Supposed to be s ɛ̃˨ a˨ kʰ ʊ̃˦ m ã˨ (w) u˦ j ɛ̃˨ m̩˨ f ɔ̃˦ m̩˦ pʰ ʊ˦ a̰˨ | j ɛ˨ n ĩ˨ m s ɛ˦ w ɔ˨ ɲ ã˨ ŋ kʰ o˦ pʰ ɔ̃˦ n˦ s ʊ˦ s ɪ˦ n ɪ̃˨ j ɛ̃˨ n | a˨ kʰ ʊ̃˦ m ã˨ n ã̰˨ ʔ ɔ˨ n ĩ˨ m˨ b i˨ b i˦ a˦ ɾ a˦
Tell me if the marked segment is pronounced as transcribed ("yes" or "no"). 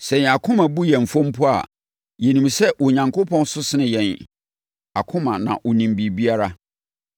no